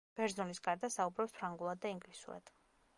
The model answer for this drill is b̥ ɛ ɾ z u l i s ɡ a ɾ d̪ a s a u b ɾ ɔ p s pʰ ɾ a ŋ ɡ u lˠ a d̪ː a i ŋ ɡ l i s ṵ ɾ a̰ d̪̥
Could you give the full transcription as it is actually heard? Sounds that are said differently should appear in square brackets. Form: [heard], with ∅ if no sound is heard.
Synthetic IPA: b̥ ɛ ɾ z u l i s ɡ a ɾ d̪ a s a u b ɾ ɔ p s pʰ ɾ a ŋ ɡ u lˠ a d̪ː a i ŋ ɡ l i s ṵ ɾ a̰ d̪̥